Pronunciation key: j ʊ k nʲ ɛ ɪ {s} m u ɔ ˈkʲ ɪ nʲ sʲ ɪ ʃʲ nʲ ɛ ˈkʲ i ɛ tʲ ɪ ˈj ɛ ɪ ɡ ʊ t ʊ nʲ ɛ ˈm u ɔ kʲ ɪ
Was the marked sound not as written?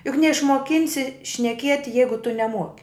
yes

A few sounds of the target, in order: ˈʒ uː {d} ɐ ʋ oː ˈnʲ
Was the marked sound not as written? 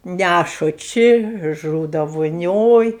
no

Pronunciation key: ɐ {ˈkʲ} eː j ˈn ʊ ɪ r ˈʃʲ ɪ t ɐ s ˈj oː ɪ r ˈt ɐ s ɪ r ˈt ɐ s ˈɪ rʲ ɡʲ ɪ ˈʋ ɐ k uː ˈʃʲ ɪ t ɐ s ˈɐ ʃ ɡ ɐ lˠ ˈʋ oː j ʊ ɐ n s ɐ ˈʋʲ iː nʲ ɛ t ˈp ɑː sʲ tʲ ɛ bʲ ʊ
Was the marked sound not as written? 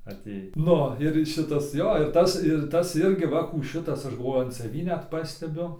yes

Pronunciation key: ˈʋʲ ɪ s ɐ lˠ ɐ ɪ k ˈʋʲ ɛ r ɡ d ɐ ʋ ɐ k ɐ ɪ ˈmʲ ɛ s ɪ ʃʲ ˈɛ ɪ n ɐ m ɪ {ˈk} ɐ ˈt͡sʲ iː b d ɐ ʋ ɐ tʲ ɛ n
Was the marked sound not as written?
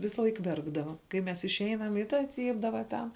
yes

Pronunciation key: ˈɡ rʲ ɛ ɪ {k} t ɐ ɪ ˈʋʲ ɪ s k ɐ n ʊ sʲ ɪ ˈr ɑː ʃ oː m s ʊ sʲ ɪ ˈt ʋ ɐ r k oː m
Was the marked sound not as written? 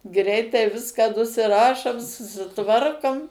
yes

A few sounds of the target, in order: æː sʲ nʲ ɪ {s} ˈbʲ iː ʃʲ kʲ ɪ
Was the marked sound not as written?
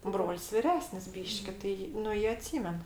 no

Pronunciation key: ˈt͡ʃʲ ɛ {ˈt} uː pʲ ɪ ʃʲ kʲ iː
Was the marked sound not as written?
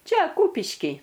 yes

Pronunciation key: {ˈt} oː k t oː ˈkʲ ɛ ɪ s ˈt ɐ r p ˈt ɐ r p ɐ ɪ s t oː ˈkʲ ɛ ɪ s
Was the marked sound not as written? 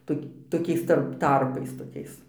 no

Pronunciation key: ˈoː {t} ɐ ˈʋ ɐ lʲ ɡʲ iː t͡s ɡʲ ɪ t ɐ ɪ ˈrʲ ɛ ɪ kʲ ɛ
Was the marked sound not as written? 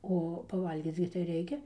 yes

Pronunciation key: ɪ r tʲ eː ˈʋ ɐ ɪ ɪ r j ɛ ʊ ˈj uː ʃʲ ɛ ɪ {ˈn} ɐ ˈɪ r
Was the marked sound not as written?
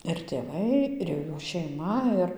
yes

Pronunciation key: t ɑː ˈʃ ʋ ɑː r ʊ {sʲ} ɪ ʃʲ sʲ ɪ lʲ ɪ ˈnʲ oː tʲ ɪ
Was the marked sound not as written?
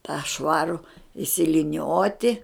yes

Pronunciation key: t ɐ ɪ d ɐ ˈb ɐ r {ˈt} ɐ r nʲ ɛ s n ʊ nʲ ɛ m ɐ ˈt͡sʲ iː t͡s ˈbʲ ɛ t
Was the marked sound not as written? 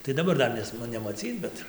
yes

